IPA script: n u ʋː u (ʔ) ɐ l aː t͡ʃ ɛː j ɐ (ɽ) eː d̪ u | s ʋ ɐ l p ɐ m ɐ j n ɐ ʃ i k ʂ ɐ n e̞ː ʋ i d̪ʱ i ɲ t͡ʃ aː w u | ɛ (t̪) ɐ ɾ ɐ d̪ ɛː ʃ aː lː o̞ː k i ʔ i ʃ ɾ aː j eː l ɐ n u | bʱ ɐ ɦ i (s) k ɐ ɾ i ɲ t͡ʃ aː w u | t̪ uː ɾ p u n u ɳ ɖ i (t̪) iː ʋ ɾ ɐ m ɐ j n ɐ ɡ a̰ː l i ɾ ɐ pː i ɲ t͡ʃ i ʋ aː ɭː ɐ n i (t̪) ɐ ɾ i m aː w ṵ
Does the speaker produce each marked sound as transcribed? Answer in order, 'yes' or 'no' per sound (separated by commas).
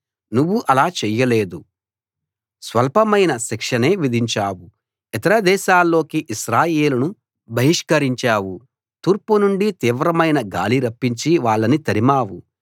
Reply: yes, no, yes, no, yes, yes